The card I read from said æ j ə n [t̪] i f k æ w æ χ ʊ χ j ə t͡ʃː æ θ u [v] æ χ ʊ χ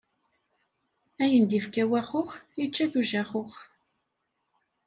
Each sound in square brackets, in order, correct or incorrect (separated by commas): incorrect, incorrect